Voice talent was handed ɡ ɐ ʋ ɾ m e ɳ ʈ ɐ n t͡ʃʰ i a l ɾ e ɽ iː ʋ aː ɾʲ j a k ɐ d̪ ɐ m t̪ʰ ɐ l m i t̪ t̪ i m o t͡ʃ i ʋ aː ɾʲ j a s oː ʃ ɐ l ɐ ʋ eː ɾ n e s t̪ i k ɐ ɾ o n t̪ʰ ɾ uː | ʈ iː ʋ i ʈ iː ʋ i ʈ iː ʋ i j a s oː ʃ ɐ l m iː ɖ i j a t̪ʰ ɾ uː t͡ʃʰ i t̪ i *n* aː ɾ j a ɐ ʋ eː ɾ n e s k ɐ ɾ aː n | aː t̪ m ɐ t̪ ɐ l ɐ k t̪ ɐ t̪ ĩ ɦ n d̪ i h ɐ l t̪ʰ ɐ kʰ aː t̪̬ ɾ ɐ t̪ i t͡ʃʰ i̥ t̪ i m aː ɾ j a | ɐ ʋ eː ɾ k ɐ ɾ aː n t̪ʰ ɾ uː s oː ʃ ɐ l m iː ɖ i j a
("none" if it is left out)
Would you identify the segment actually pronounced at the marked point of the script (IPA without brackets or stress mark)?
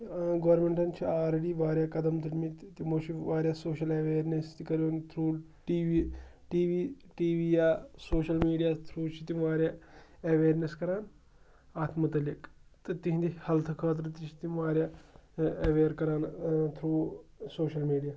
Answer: m